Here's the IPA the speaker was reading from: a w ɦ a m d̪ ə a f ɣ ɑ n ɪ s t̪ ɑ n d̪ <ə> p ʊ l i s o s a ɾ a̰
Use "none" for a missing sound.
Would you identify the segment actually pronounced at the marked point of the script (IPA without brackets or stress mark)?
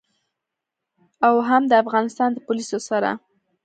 ə